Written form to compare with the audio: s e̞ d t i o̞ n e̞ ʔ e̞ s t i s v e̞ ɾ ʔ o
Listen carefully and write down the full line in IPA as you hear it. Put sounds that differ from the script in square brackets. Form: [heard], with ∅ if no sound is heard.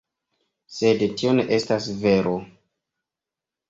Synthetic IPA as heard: s e̞ d t i o̞ n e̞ ʔ e̞ s t [a] s v e̞ ɾ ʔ o